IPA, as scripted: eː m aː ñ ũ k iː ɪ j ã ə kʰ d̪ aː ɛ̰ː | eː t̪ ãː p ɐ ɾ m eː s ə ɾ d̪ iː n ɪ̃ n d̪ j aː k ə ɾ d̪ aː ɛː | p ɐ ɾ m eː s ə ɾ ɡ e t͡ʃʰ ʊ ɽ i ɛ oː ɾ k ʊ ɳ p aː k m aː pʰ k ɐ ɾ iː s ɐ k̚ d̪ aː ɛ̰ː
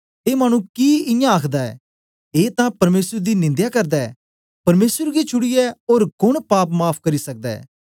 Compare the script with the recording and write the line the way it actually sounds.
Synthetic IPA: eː m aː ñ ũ k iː ɪ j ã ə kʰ d̪ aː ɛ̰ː | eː t̪ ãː p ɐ ɾ m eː s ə ɾ d̪ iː n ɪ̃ n d̪ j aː k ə ɾ d̪ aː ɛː | p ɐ ɾ m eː s ə ɾ ɡ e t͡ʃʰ ʊ ɽ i ɛ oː ɾ k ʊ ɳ p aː p m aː pʰ k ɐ ɾ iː s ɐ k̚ d̪ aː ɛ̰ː